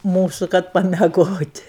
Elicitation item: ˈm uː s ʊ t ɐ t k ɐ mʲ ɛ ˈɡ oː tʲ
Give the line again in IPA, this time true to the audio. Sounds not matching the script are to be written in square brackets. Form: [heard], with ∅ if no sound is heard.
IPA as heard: ˈm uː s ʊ [k] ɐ t [p] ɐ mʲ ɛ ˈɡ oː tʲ